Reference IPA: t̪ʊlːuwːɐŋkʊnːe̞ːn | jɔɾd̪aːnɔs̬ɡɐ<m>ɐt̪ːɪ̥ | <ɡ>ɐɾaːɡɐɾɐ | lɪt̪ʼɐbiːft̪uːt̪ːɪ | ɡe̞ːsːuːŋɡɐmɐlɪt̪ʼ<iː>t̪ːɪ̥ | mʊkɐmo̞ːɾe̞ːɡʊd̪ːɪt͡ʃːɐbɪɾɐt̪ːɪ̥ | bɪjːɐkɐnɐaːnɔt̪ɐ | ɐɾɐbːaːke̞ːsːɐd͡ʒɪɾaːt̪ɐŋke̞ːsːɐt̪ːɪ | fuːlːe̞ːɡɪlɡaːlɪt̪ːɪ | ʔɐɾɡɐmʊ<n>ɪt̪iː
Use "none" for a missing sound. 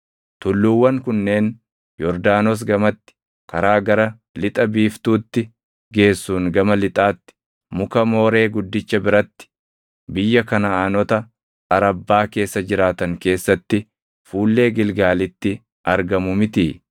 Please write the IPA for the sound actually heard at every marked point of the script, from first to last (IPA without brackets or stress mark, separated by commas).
m, k, aː, m